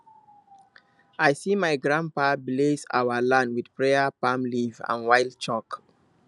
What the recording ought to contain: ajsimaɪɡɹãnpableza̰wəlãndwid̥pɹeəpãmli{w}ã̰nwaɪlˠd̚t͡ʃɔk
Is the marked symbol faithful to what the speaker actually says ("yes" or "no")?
no